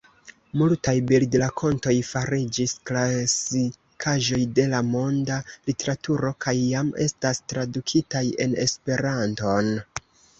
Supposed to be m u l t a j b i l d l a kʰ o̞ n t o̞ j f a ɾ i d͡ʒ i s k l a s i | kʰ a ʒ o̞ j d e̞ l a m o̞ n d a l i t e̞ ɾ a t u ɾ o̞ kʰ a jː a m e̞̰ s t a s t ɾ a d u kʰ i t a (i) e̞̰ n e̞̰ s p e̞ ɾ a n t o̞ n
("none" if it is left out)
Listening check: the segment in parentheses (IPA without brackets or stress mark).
j